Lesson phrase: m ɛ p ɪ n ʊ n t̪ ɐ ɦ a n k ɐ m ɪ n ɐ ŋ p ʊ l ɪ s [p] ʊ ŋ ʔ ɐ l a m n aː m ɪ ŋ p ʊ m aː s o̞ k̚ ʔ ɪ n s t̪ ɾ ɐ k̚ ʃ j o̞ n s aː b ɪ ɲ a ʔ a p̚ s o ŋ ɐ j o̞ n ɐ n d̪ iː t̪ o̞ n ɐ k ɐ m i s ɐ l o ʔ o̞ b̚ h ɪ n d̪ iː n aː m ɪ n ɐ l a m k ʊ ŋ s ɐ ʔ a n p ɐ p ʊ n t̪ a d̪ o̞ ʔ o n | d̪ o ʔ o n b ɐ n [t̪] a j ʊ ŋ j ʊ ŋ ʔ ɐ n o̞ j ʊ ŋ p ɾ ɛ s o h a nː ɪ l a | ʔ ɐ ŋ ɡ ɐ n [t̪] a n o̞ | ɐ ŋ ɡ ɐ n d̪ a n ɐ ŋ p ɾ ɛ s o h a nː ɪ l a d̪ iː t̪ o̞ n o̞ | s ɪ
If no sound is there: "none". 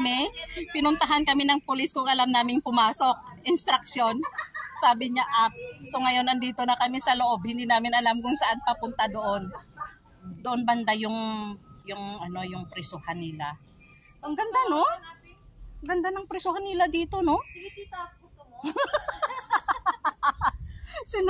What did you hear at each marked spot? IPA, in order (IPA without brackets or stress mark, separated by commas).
k, d̪, d̪